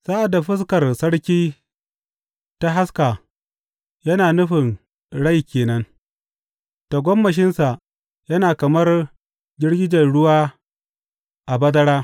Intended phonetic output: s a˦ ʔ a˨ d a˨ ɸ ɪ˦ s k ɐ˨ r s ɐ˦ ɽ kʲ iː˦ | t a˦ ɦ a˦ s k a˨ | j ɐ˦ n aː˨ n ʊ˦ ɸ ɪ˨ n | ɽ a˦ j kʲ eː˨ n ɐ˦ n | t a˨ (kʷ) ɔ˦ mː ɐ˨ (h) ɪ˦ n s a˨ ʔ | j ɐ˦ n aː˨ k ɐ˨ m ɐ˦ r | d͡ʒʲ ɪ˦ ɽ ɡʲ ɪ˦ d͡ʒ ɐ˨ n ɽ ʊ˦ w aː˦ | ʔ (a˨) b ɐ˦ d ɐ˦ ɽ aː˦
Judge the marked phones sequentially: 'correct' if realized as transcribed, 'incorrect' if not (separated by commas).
incorrect, incorrect, correct